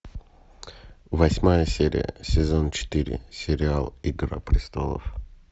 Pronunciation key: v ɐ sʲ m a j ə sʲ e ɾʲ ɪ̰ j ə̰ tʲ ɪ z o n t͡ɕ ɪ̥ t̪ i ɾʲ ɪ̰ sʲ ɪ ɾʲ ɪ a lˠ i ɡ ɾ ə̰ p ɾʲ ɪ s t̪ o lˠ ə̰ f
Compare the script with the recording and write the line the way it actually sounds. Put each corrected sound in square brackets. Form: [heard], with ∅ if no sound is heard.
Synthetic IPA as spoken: v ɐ sʲ m a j ə sʲ e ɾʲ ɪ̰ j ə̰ [sʲ] ɪ z o n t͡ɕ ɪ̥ t̪ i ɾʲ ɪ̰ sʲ ɪ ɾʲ ɪ a lˠ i ɡ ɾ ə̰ p ɾʲ ɪ s t̪ o lˠ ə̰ f